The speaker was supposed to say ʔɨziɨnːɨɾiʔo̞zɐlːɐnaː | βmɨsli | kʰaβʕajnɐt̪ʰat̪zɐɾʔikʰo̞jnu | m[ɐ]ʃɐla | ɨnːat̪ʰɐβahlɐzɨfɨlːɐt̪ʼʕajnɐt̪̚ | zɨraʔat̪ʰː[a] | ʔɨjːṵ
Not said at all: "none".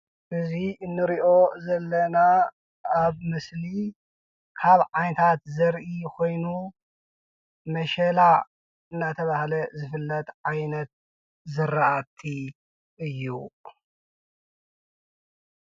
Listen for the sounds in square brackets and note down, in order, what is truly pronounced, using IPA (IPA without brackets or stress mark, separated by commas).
ɐ, i